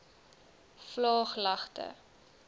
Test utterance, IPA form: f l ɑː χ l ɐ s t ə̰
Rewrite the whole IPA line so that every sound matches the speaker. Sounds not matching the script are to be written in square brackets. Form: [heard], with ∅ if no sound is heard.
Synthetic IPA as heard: f l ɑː χ l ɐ [χ] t ə̰